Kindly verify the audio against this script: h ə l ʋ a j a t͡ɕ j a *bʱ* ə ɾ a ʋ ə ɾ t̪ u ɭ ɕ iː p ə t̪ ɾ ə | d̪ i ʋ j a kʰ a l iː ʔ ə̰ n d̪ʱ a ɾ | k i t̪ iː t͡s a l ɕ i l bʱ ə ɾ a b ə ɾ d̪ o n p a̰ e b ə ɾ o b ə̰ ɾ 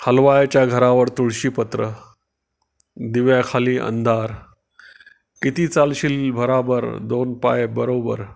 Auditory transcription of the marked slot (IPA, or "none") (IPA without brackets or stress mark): ɡʱ